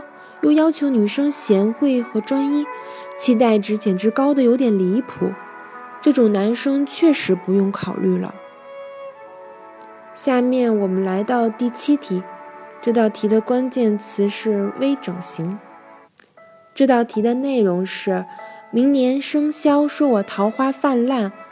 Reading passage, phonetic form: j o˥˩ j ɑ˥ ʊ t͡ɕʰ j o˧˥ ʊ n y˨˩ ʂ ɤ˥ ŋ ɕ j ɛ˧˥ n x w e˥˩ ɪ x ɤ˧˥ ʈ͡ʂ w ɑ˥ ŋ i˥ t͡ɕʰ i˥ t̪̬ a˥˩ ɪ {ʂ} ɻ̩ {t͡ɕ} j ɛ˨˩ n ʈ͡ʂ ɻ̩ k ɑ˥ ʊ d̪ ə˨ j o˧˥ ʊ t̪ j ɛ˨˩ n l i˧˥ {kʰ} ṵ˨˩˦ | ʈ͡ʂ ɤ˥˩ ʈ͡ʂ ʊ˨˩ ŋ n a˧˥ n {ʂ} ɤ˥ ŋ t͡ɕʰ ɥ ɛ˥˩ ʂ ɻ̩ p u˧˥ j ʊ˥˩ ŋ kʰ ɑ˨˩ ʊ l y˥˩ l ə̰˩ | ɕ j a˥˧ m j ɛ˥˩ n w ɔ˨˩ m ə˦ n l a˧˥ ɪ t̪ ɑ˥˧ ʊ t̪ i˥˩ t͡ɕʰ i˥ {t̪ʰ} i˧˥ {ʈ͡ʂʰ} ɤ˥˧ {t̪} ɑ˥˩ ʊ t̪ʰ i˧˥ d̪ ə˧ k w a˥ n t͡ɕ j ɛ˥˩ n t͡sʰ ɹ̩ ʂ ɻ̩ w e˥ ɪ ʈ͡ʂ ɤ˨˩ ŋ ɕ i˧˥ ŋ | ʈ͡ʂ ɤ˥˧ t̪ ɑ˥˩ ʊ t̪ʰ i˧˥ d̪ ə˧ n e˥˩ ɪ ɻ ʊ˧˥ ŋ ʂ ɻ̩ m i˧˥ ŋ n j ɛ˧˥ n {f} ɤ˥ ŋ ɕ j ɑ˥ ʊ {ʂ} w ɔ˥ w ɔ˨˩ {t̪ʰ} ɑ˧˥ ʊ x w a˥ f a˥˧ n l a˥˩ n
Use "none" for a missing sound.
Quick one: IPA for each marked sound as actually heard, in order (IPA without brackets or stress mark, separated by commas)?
ʈ͡ʂ, t͡ɕ, pʰ, ʂ, t̪ʰ, ʈ͡ʂ, t̪, ʂ, ʂ, t̪ʰ